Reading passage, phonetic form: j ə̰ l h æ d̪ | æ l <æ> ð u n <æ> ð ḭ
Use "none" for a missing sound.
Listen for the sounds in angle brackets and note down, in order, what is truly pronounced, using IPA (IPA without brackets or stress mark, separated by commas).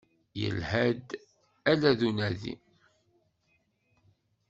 æ, æ